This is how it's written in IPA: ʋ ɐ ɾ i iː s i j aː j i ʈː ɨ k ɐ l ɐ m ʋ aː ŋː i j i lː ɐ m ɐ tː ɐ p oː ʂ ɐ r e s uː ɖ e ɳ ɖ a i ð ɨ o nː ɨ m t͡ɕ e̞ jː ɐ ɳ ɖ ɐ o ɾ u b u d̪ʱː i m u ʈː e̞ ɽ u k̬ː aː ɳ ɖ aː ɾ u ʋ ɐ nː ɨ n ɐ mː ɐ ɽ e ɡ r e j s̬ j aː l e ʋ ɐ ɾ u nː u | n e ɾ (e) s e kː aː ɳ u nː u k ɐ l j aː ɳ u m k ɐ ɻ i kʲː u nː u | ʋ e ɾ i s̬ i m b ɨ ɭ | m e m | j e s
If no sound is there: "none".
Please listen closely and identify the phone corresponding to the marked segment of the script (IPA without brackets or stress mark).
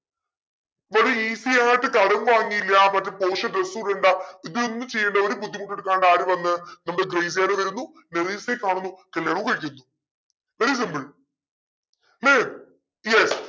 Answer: i